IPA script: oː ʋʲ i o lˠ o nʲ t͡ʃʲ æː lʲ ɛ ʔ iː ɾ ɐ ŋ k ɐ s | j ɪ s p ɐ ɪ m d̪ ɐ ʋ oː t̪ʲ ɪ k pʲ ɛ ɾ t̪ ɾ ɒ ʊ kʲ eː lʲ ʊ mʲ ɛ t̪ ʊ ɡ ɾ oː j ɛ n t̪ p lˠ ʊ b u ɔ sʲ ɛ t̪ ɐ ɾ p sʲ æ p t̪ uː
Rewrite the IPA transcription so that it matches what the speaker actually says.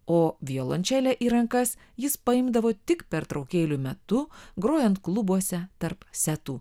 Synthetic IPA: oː ʋʲ i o lˠ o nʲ t͡ʃʲ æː lʲ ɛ ʔ iː ɾ ɐ ŋ k ɐ s | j ɪ s p ɐ ɪ m d̪ ɐ ʋ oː t̪ʲ ɪ k pʲ ɛ ɾ t̪ ɾ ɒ ʊ kʲ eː lʲ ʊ mʲ ɛ t̪ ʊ ɡ ɾ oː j ɛ n t̪ k lˠ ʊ b u ɔ sʲ ɛ t̪ ɐ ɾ p sʲ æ t̪ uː